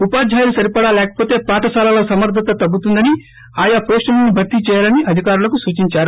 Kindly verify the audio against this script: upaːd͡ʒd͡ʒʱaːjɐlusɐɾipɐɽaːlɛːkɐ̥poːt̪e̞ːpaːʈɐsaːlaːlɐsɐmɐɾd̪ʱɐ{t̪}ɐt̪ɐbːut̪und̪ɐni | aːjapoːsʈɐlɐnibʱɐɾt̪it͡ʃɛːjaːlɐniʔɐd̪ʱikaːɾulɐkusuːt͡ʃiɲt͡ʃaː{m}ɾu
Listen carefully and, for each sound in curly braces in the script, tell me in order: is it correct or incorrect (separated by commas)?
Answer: correct, incorrect